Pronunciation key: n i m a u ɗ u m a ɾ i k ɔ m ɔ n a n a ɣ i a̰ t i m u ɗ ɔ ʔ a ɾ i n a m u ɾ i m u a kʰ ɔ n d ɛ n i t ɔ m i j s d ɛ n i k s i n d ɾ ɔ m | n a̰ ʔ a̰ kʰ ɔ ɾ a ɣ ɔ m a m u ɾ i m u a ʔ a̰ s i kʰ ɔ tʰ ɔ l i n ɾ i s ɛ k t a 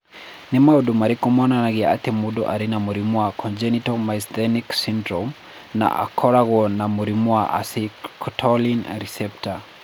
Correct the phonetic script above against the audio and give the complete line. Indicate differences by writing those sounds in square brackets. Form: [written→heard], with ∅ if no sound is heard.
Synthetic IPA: n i m a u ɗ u m a ɾ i k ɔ m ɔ n a n a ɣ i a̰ t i m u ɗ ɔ ʔ a ɾ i n a m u ɾ i m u a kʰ ɔ n [d→d͡ʒ] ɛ n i t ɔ m [i→a] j s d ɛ n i k s i n d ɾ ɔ m | n a̰ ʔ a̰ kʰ ɔ ɾ a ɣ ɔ [m→n] a m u ɾ i m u a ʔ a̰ s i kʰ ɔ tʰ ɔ l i n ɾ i s ɛ [k→p] t a